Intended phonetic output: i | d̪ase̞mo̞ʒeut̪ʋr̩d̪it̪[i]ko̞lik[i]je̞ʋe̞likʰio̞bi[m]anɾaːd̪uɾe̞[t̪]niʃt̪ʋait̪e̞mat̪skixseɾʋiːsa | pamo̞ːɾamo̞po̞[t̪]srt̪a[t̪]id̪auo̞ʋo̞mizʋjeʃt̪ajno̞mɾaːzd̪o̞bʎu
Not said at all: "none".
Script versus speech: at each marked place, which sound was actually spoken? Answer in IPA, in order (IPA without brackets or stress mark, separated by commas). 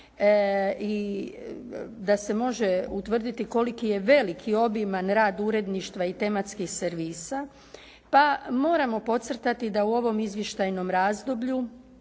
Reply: i, i, m, d̪, t̪, t̪